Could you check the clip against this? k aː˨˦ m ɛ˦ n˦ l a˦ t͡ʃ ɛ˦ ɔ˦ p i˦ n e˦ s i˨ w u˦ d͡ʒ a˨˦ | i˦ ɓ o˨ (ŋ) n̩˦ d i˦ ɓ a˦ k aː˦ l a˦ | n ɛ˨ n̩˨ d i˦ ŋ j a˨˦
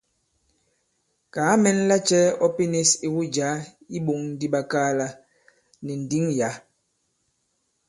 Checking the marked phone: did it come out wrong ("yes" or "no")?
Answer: no